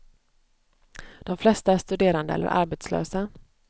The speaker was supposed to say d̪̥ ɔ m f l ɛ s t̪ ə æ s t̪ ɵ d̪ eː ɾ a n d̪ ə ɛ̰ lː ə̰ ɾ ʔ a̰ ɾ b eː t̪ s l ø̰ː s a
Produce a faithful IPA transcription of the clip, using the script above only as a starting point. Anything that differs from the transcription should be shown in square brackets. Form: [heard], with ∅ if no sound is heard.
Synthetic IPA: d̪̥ ɔ m f l ɛ s t̪ [a] æ [ʂ] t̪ ɵ d̪ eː ɾ a n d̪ ə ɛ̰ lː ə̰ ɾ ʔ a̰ ɾ b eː t̪ s l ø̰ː s a

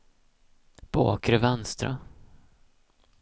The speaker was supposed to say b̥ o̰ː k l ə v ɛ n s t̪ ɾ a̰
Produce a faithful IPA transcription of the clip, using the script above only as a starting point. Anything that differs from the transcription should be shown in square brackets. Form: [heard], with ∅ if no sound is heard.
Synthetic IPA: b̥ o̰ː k [ɾ] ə v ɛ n s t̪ ɾ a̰

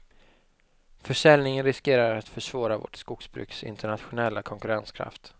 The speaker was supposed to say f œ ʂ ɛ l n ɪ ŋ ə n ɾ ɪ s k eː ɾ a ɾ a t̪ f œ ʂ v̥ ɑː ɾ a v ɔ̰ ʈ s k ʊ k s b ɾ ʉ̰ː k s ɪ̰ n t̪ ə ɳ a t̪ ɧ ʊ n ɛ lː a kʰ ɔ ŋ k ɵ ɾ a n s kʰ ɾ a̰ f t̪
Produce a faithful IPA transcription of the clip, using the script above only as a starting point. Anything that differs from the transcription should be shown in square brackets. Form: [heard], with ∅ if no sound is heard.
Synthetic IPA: f œ ʂ ɛ l n ɪ ŋ ə n ɾ ɪ s k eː ɾ a ɾ a t̪ f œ ʂ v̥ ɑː ɾ a v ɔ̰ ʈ s k ʊ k s b ɾ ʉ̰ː k s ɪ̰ n t̪ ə ɳ a t̪ ɧ ʊ n ɛ lː a kʰ ɔ ŋ k ɵ ɾ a n s kʰ ɾ a̰ f t̪

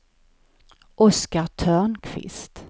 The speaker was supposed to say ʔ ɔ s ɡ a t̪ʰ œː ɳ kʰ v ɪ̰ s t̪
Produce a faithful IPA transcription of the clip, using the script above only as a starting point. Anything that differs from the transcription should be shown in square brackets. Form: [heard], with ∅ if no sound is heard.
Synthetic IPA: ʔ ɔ s [k] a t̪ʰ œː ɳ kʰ v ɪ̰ s t̪

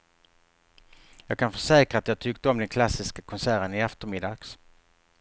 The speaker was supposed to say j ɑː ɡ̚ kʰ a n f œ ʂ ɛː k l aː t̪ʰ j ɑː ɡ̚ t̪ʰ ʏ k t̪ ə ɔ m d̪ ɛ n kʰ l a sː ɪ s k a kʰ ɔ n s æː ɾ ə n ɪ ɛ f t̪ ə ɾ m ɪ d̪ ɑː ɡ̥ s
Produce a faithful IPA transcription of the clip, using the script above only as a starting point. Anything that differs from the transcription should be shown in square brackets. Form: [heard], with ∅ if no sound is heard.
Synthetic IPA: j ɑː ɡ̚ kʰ a n f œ ʂ ɛː k [ɾ] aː [t̪] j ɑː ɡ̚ t̪ʰ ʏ k t̪ ə ɔ m d̪ ɛ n kʰ l a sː ɪ s k a kʰ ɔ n s æː ɾ ə n ɪ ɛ f t̪ ə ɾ m ɪ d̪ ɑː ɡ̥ s

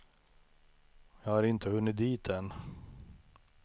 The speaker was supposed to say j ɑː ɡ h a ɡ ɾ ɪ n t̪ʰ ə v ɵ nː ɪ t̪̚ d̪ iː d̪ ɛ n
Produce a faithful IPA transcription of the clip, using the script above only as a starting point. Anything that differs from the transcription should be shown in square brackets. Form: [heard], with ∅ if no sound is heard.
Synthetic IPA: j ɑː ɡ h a [∅] ɾ ɪ n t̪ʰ ə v ɵ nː ɪ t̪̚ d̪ iː [t̪] ɛ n

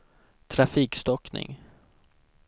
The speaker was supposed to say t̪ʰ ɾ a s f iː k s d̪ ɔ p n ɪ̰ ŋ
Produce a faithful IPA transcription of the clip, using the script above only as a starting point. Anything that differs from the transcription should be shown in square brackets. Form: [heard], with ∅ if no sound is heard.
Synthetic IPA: t̪ʰ ɾ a [∅] f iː k s [t̪] ɔ [k] n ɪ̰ ŋ

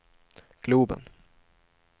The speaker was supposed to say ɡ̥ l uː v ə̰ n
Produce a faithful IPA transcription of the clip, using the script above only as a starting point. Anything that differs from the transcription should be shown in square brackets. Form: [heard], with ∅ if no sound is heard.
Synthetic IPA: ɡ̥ l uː [b] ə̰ n

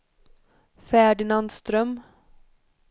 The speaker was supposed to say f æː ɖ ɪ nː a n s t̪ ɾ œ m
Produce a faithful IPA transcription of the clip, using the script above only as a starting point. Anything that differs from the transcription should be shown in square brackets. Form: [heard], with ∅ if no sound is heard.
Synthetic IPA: f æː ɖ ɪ [n] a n s t̪ ɾ œ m

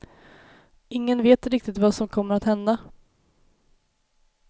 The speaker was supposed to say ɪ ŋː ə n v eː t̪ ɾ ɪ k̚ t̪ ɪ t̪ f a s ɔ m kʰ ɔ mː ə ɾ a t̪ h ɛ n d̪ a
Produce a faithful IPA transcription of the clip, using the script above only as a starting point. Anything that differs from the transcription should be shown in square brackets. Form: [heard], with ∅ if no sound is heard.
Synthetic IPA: ɪ ŋː ə n v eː t̪ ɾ ɪ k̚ t̪ ɪ t̪ [v] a s ɔ m kʰ ɔ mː ə ɾ a t̪ h ɛ n d̪ a

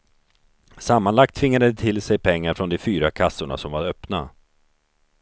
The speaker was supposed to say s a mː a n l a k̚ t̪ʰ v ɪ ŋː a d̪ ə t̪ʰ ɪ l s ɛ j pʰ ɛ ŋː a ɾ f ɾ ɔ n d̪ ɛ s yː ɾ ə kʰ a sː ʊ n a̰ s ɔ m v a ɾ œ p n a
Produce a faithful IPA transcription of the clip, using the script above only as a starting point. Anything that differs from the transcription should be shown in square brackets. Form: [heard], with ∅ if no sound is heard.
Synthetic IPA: s a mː a n l a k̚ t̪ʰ v ɪ ŋː a d̪ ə t̪ʰ ɪ l s ɛ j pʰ ɛ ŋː a ɾ f ɾ ɔ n d̪ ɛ [f] yː ɾ [a] kʰ a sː ʊ [ɳ] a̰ s ɔ m v a ɾ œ p n a

